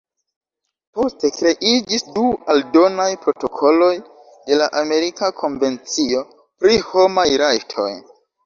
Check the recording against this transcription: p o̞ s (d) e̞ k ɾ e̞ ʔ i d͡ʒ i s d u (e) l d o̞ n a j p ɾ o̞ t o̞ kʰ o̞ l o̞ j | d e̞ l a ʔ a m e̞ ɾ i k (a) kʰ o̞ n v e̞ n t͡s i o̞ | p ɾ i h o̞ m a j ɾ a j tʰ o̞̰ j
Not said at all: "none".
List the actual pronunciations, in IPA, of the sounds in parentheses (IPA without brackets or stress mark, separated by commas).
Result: t, a, a